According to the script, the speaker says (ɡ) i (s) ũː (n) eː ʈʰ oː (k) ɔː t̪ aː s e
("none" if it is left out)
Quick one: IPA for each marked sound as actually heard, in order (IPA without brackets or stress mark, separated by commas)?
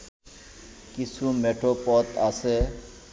k, s, m, p